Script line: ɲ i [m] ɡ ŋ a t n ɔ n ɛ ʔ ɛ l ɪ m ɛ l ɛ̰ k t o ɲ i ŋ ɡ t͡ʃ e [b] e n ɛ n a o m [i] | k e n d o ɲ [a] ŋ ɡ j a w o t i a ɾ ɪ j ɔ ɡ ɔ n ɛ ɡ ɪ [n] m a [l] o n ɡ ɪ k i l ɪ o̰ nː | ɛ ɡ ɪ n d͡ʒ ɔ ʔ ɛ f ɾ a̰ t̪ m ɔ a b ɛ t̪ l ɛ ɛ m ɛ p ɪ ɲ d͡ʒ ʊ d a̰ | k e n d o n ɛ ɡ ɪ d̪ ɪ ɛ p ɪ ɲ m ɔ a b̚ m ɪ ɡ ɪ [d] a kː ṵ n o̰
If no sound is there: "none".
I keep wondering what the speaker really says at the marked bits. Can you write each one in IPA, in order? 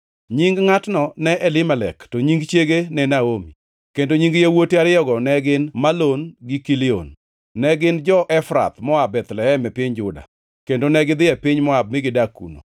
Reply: ŋ, ɡ, i, i, n, l, d

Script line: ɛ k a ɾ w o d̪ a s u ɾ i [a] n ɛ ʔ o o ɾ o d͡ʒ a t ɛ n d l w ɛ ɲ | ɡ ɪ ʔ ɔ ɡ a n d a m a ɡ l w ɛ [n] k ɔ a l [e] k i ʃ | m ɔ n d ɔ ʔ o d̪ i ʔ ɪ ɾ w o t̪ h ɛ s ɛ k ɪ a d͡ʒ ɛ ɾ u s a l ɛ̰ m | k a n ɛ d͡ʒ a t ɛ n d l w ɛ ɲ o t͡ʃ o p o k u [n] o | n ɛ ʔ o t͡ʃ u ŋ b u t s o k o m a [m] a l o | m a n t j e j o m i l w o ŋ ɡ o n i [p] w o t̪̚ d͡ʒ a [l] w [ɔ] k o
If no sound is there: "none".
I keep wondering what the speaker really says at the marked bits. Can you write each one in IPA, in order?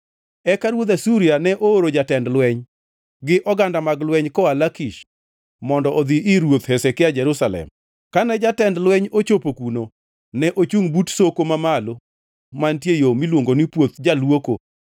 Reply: a, ɲ, a, n, m, p, l, o

